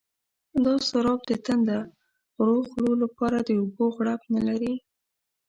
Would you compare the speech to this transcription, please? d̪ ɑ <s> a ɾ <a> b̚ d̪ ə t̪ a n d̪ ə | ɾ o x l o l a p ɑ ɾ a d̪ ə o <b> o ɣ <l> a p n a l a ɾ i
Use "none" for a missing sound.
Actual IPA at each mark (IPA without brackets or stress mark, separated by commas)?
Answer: s, ɑ, b, ɽ